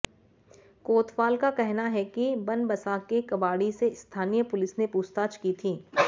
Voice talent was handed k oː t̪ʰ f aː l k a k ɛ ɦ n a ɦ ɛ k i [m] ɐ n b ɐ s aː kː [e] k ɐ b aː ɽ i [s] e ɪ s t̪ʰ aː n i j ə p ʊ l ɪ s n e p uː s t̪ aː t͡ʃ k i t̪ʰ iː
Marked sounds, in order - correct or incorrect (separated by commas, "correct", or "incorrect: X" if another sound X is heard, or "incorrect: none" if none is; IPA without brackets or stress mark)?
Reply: incorrect: b, correct, correct